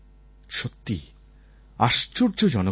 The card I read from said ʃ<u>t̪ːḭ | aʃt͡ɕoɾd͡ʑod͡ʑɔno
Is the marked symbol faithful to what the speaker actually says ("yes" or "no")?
no